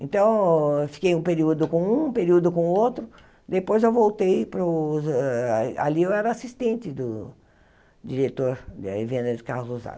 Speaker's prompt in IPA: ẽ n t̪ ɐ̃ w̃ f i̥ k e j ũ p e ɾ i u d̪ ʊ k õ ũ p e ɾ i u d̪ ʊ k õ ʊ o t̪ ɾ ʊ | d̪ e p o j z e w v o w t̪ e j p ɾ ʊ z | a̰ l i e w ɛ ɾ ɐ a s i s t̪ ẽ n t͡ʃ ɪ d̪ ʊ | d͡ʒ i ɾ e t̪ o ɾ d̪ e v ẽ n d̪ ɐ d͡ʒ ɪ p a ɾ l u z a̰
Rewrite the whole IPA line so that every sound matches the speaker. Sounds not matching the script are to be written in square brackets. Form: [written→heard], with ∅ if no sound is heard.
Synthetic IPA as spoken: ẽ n t̪ ɐ̃ w̃ f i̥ k e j ũ p e ɾ i u d̪ ʊ k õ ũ p e ɾ i u d̪ ʊ k õ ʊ o t̪ ɾ ʊ | d̪ e p o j z e w v o w t̪ e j p ɾ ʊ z | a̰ l i e w ɛ ɾ ɐ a s i s t̪ ẽ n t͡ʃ ɪ d̪ ʊ | d͡ʒ i ɾ e t̪ o ɾ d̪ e v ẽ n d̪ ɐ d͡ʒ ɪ [p→k] a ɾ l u z a̰

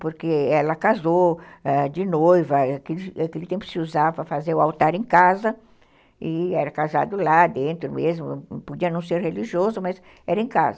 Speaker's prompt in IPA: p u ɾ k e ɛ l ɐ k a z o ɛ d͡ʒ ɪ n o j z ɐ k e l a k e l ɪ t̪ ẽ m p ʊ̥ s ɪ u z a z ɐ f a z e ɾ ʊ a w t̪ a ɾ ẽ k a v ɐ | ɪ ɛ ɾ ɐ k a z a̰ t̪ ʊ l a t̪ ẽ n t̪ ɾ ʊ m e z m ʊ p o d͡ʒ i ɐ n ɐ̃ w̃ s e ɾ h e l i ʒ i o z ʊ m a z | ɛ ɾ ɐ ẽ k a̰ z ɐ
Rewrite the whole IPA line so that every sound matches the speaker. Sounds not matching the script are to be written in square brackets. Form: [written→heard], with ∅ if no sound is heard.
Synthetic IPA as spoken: p [u→o] ɾ k e ɛ l ɐ k a z o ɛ d͡ʒ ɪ n o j [z→v] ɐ k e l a k e l ɪ t̪ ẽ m p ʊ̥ s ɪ u z a [z→v] ɐ f a z e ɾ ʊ a w t̪ a ɾ ẽ k a [v→z] ɐ | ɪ ɛ ɾ ɐ k a z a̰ [t̪→d̪] ʊ l a [t̪→d̪] ẽ n t̪ ɾ ʊ m e z m ʊ p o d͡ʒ i ɐ n ɐ̃ w̃ s e ɾ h e l i ʒ i o z ʊ m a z | ɛ ɾ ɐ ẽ k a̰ z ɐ

